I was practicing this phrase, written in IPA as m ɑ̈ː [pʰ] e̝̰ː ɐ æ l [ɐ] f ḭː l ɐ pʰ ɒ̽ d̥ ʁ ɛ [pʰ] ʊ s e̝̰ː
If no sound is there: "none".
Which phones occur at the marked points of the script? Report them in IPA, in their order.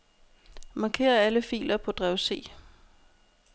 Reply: kʰ, ə, none

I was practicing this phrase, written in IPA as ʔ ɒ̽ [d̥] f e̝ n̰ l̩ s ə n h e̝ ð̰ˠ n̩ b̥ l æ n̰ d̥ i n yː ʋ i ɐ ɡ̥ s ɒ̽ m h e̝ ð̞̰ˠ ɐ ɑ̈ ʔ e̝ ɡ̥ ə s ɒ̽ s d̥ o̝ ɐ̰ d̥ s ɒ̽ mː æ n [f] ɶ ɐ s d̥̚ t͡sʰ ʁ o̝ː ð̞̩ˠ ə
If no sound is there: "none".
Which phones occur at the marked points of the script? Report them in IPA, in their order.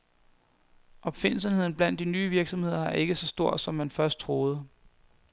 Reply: b̥, f

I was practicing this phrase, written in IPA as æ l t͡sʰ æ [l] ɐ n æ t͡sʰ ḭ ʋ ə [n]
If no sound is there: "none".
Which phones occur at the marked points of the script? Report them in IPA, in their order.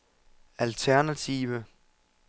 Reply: none, none

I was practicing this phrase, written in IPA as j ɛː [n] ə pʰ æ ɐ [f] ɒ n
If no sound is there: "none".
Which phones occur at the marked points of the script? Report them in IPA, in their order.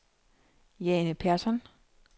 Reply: n, s

